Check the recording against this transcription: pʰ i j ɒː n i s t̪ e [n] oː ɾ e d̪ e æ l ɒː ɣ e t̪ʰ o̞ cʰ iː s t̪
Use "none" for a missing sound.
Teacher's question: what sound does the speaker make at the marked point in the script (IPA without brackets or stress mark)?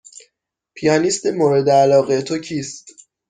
m